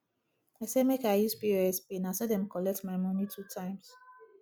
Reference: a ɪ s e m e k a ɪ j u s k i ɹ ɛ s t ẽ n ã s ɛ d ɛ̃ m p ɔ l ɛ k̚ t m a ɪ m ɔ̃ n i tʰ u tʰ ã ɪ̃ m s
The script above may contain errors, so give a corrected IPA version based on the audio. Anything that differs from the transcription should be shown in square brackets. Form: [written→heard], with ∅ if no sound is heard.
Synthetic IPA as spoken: a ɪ s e m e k a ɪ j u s [k→p] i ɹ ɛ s [t→p] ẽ n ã s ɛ d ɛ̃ m [p→k] ɔ l ɛ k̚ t m a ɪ m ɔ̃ n i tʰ u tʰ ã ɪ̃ m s